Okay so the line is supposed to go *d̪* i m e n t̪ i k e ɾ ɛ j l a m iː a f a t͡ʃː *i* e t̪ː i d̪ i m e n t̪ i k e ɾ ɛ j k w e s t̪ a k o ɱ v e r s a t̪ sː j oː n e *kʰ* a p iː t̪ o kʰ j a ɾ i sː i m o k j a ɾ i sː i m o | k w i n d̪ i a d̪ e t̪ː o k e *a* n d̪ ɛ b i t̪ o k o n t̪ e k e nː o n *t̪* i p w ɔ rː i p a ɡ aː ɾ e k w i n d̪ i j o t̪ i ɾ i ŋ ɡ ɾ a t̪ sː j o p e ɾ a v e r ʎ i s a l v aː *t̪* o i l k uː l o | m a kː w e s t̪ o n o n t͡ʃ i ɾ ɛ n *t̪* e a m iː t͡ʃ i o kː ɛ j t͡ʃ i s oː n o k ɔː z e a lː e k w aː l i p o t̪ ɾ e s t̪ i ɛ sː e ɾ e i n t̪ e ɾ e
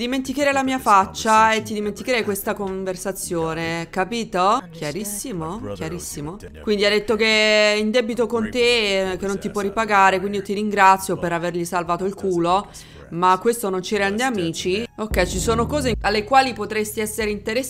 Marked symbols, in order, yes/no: yes, no, no, no, yes, yes, no

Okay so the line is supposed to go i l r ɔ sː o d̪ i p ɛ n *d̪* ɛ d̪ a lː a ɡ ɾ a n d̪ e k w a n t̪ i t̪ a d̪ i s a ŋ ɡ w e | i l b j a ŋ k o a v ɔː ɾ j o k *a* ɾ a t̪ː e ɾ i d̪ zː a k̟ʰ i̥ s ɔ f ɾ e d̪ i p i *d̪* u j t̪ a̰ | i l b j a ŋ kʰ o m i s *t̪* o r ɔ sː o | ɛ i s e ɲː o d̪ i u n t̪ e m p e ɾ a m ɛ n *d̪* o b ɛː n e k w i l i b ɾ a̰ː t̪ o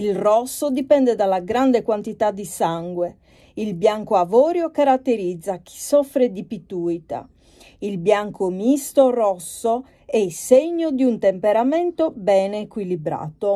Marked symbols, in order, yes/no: yes, yes, no, yes, no

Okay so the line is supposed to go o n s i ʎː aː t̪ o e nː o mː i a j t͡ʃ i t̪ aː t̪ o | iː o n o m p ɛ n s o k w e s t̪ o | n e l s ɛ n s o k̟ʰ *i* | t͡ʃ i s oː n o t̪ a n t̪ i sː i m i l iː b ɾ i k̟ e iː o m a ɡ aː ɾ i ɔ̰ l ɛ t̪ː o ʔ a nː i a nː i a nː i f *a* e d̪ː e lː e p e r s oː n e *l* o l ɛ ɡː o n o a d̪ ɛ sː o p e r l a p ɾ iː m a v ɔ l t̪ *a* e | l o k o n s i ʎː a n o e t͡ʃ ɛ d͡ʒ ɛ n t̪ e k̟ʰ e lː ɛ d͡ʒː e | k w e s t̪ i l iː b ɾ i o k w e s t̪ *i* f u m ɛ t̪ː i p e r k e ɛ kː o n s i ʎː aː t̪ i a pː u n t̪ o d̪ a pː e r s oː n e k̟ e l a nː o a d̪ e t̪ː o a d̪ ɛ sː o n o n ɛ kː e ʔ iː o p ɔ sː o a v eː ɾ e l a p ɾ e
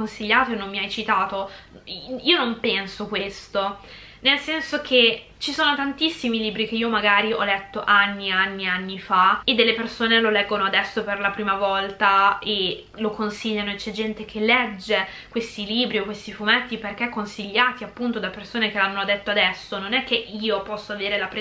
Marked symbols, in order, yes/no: no, yes, yes, yes, yes

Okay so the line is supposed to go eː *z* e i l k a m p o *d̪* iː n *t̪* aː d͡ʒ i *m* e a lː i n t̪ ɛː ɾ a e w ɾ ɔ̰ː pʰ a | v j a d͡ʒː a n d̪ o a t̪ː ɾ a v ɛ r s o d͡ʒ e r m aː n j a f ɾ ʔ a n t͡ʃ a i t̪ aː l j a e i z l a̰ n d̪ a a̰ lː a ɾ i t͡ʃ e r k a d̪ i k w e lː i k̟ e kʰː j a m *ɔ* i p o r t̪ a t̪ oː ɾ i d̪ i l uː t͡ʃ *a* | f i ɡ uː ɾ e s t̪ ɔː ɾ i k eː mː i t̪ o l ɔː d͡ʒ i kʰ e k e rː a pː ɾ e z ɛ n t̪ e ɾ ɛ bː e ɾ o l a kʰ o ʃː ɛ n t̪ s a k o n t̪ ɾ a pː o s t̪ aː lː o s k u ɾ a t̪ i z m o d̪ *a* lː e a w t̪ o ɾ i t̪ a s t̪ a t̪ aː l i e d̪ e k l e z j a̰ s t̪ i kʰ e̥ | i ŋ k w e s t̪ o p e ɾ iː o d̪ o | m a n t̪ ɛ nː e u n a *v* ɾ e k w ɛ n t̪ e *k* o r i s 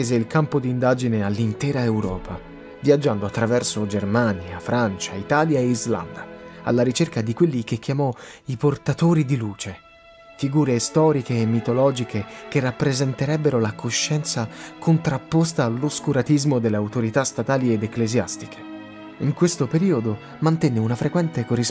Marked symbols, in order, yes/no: yes, yes, no, no, yes, no, no, no, yes

